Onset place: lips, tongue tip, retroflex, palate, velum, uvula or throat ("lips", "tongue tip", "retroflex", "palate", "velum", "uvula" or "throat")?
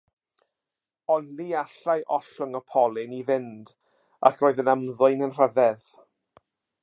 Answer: tongue tip